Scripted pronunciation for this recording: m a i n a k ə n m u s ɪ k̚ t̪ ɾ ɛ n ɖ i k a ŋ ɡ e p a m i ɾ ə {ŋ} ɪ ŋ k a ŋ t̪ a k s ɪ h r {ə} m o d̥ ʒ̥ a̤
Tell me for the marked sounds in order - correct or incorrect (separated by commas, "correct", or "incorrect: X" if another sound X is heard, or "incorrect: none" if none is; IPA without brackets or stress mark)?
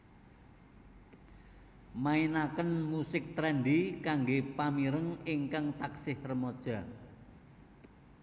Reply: correct, correct